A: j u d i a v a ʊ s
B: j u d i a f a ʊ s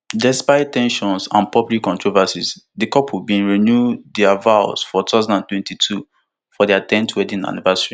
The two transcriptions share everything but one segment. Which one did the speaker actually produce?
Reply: A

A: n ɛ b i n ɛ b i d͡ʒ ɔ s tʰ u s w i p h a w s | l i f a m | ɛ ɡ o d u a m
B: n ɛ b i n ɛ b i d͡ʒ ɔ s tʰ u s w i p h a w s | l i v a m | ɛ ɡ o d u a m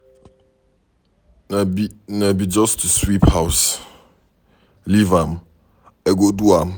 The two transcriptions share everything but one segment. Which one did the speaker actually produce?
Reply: B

